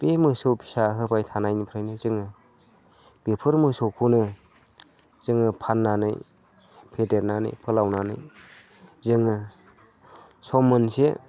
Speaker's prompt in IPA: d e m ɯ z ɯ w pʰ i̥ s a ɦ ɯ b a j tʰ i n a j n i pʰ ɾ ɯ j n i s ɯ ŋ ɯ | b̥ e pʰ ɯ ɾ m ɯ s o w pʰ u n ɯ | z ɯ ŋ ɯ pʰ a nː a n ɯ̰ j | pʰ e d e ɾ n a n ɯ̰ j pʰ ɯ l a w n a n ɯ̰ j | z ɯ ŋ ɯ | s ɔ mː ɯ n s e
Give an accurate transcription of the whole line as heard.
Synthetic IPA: b e m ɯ s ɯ w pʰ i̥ s a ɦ ɯ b a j tʰ a n a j n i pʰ ɾ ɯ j n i z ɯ ŋ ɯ | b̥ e pʰ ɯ ɾ m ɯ s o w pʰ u n ɯ | z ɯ ŋ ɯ pʰ a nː a n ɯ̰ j | pʰ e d e ɾ n a n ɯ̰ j pʰ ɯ l a w n a n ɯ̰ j | z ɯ ŋ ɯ | s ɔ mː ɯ n s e